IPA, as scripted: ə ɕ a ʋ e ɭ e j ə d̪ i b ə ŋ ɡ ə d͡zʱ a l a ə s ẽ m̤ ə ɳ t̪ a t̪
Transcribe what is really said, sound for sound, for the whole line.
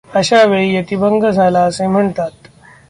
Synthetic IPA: ə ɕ a ʋ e ɭ i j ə t̪ i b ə ŋ ɡ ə d͡zʱ a l a ə s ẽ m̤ ə ɳ t̪ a t̪